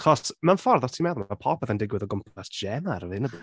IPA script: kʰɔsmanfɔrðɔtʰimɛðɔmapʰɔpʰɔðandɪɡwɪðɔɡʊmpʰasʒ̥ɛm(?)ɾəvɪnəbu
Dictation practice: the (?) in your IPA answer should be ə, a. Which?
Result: a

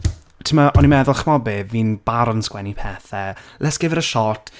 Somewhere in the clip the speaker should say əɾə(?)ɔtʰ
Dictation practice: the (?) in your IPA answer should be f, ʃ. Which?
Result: ʃ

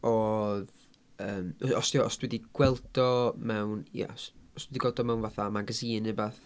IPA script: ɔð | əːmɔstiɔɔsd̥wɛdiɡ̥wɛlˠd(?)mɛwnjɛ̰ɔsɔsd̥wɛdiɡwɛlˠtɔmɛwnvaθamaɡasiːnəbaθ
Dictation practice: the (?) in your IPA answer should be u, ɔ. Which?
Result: ɔ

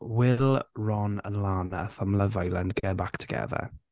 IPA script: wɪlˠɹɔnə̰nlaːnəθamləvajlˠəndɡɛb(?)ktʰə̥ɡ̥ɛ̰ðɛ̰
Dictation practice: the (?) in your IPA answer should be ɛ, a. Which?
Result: a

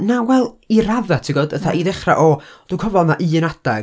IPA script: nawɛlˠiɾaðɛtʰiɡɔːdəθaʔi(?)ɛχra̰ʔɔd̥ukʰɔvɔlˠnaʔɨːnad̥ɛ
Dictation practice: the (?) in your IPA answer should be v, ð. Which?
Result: ð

